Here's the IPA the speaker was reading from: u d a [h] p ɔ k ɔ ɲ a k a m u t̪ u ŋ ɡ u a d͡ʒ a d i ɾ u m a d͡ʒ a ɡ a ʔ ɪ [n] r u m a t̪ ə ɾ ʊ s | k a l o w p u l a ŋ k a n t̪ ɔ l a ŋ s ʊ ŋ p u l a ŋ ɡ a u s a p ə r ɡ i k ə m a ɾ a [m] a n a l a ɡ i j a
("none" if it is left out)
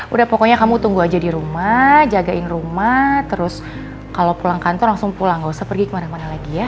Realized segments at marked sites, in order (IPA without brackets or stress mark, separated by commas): h, n, m